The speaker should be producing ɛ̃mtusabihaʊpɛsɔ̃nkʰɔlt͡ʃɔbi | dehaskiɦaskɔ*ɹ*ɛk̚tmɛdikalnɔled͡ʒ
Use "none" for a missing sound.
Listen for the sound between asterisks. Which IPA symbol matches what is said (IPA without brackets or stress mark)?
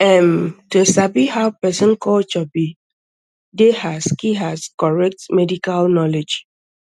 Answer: ɹ